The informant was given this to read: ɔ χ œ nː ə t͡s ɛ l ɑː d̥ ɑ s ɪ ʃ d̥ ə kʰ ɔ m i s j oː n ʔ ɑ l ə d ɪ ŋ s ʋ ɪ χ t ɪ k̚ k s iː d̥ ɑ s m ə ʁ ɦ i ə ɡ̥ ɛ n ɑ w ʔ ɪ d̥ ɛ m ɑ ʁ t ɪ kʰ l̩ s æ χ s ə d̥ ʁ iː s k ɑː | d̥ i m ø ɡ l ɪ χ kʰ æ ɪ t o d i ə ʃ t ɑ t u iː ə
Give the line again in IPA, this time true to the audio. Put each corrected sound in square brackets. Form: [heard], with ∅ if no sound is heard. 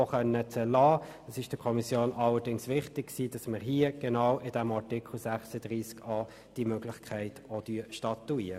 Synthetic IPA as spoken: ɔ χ œ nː ə t͡s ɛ l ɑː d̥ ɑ s ɪ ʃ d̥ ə kʰ ɔ m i s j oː n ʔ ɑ l ə d ɪ ŋ s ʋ ɪ χ t ɪ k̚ k s iː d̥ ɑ s m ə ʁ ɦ i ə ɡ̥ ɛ n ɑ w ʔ ɪ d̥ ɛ m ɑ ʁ t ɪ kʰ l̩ s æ χ s ə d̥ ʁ iː s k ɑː | d̥ i m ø ɡ l ɪ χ kʰ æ ɪ t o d [y] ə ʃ t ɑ t u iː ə